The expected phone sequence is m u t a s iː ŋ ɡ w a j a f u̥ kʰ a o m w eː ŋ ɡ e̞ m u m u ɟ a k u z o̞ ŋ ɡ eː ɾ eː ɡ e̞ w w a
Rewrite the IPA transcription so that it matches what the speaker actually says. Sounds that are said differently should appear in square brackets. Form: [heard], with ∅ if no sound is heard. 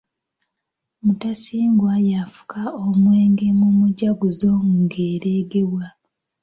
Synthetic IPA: m u t a s iː ŋ ɡ w a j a f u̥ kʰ a o m w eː ŋ ɡ e̞ m u m u ɟ a [ɡ] u z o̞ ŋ ɡ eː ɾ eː ɡ e̞ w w a